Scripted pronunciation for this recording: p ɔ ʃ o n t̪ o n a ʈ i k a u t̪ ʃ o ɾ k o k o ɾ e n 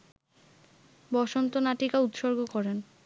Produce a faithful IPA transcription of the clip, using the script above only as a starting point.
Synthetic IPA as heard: b ɔ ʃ o n t̪ o n a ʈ i k a u t̪ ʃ o ɾ ɡ o k ɔ ɾ e n